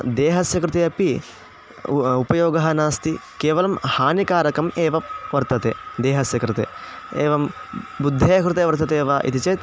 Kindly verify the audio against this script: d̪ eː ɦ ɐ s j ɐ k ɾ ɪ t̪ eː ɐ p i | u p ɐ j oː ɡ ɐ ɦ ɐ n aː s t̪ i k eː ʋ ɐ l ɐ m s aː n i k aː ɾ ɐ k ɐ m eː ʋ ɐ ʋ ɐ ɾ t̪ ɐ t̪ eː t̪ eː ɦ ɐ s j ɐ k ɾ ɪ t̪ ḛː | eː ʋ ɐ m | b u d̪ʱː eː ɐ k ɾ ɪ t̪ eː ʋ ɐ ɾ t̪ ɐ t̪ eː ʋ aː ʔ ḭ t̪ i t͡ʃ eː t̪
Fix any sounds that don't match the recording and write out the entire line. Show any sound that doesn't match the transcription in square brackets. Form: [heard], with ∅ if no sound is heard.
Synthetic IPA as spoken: d̪ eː ɦ ɐ s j ɐ k ɾ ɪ t̪ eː ɐ p i | u p ɐ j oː ɡ ɐ ɦ ɐ n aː s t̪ i k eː ʋ ɐ l ɐ m [h] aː n i k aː ɾ ɐ k ɐ m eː ʋ ɐ ʋ ɐ ɾ t̪ ɐ t̪ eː [d̪] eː ɦ ɐ s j ɐ k ɾ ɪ t̪ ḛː | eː ʋ ɐ m | b u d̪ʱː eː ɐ k ɾ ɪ t̪ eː ʋ ɐ ɾ t̪ ɐ t̪ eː ʋ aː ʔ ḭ t̪ i t͡ʃ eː t̪